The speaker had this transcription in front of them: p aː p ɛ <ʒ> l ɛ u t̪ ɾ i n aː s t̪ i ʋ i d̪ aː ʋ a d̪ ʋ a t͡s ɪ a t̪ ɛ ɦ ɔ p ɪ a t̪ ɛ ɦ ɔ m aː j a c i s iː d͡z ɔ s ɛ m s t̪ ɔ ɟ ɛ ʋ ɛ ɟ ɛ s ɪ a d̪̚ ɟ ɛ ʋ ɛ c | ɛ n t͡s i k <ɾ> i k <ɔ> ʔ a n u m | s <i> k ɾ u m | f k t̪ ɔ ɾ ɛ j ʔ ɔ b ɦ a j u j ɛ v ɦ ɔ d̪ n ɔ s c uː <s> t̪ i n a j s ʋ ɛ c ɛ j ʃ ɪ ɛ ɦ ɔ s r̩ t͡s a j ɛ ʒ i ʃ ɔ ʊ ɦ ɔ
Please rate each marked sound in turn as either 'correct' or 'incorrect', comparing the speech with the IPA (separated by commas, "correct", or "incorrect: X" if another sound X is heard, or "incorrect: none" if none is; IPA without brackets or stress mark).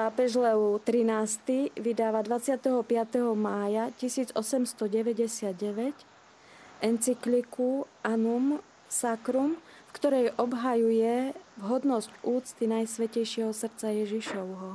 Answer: correct, incorrect: l, incorrect: u, incorrect: a, incorrect: t͡s